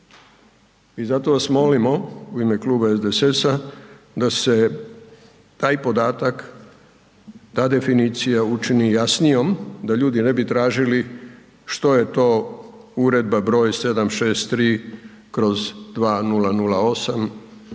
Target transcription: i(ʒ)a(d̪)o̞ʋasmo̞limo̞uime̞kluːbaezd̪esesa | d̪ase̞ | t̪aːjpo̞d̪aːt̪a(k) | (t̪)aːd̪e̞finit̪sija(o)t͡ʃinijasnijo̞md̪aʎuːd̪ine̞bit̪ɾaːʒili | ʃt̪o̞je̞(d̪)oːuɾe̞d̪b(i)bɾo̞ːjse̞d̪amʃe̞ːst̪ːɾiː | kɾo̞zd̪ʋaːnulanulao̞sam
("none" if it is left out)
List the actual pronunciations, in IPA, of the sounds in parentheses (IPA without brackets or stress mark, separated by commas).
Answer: z, t̪, k, t̪, u, t̪, a